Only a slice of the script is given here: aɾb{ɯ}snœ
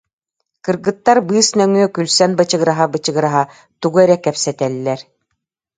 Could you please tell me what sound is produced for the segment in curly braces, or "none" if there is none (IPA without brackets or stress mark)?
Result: ɯː